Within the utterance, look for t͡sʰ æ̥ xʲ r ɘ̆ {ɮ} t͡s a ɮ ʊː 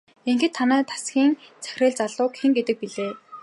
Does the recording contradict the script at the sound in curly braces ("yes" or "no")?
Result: no